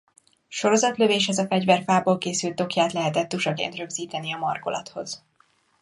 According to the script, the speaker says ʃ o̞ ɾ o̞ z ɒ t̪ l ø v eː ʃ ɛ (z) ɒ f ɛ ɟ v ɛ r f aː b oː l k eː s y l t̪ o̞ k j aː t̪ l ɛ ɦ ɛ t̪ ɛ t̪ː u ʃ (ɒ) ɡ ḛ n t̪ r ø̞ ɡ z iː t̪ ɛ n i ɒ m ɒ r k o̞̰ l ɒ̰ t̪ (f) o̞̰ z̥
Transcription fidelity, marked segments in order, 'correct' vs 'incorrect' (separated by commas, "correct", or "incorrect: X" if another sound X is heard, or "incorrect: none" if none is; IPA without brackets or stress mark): correct, correct, incorrect: h